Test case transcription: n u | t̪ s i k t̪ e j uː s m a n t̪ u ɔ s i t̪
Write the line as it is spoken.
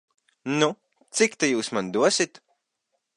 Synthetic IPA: n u | t̪ s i k t̪ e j uː s m a n d̪ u ɔ s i t̪